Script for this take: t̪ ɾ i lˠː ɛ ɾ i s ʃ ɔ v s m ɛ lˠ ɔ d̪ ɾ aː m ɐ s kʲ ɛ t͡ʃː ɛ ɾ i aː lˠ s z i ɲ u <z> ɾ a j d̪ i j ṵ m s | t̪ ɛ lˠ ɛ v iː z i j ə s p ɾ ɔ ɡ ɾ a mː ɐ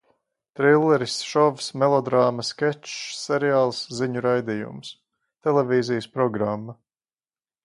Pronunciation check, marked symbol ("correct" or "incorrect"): incorrect